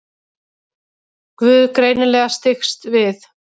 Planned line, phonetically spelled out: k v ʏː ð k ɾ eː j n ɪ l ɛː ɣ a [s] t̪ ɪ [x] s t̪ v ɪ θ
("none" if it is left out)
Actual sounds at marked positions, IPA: s, x

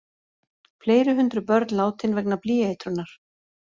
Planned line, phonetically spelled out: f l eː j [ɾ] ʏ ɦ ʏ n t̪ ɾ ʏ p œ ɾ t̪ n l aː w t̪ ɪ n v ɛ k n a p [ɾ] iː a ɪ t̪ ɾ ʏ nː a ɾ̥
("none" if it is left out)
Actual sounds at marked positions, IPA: ɾ, l

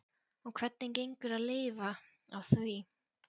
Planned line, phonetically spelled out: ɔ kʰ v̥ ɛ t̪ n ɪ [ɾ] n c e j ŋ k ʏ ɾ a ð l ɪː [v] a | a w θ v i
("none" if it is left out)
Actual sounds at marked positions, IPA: none, v

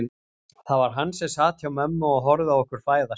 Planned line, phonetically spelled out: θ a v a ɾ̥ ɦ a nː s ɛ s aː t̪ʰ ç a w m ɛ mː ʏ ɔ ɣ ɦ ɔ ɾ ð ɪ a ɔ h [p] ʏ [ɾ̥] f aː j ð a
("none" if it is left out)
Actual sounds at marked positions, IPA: k, ɾ̥

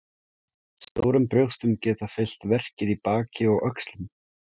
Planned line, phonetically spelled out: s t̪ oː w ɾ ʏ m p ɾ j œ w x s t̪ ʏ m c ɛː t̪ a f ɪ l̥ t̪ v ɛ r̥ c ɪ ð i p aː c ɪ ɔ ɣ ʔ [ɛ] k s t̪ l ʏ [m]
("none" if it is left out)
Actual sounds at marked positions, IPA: œ, m

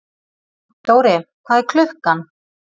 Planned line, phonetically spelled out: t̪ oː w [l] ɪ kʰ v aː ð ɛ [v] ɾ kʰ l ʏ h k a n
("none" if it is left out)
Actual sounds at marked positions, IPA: ɾ, none

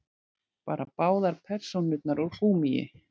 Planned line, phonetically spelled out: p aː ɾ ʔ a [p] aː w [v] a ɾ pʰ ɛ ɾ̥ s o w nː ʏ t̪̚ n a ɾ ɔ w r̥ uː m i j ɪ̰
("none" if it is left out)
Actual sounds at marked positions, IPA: p, ð

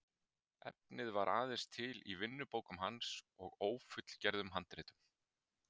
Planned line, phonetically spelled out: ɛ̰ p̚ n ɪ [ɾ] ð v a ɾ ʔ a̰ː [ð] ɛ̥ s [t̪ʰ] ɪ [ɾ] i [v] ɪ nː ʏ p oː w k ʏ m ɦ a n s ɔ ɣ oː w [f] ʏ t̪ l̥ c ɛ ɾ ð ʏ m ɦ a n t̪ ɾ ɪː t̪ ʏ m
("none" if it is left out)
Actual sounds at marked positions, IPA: none, ð, t̪ʰ, l, v, f

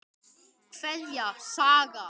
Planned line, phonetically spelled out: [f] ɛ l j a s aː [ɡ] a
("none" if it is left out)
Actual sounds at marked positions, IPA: f, ɡ

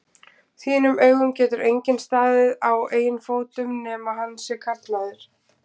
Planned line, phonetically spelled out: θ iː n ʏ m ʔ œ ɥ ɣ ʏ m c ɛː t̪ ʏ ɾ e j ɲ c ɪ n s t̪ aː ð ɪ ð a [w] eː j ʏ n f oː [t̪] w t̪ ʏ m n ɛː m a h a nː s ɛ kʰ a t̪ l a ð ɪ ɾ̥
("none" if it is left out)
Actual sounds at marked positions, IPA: w, none

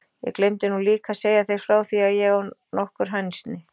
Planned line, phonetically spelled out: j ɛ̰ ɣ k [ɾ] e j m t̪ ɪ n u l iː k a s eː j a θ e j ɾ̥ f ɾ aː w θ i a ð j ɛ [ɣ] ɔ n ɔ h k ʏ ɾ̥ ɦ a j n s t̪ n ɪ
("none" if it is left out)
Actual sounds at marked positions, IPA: l, ɣ

